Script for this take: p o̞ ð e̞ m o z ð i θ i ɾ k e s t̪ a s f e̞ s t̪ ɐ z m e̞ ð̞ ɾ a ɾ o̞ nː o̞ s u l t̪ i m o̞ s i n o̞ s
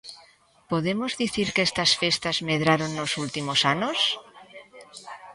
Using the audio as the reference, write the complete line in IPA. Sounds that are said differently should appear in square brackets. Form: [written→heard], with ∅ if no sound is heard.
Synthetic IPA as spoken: p o̞ ð e̞ m o z ð i θ i ɾ k e s t̪ a s f e̞ s t̪ [ɐ→a] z m e̞ ð̞ ɾ a ɾ o̞ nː o̞ s u l t̪ i m o̞ s [i→a] n o̞ s